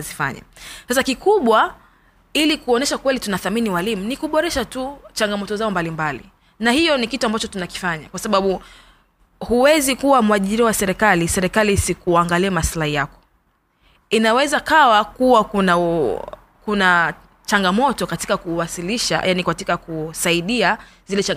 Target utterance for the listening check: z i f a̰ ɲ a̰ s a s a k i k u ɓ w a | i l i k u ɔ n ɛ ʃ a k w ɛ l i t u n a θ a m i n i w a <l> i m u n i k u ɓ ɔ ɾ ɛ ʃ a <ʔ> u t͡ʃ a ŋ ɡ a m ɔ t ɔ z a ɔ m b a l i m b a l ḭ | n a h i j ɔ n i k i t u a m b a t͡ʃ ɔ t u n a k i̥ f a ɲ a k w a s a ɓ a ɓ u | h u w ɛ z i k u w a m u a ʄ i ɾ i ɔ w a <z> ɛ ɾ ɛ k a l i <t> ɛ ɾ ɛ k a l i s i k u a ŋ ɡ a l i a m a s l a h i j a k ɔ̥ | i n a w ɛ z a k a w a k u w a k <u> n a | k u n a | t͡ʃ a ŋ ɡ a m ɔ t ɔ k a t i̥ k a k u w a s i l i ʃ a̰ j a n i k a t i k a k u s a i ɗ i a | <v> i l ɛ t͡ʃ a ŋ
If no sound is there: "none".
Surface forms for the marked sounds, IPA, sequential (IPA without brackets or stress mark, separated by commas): l, t, s, s, u, z